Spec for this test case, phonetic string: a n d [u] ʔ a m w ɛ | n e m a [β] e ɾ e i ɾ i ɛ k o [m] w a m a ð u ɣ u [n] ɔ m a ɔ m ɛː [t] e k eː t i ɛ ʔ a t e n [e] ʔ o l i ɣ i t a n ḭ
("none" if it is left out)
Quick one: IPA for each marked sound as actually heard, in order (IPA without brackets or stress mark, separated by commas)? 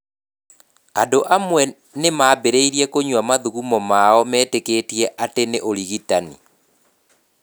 o, b, ɲ, m, t, e